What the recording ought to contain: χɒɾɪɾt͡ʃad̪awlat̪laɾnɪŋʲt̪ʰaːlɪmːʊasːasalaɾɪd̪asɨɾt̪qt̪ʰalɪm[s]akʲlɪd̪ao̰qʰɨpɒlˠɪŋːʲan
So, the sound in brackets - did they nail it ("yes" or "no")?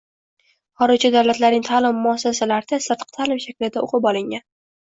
no